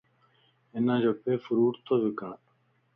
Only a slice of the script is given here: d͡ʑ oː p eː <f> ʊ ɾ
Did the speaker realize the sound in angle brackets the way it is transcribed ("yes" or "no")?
yes